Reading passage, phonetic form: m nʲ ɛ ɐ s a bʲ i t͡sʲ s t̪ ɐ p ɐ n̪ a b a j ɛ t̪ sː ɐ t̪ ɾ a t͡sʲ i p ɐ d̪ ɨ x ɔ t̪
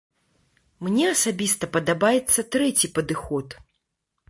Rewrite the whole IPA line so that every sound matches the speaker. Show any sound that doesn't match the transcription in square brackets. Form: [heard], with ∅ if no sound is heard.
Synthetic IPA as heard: m nʲ ɛ ɐ s a bʲ i [∅] s t̪ ɐ p ɐ [d̪] a b a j ɛ t̪ sː ɐ t̪ ɾ [ɛ] t͡sʲ i p ɐ d̪ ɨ x ɔ t̪